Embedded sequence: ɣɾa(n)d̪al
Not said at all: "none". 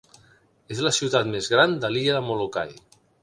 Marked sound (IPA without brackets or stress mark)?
n